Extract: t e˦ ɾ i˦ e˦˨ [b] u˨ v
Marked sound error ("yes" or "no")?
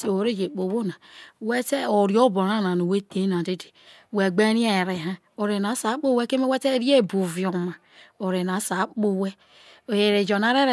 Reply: no